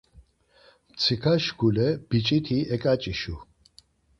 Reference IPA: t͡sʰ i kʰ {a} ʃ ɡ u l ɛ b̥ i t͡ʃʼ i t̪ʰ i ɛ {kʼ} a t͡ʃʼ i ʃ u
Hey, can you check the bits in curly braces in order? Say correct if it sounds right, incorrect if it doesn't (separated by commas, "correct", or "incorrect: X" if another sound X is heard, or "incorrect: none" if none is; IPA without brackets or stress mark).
correct, correct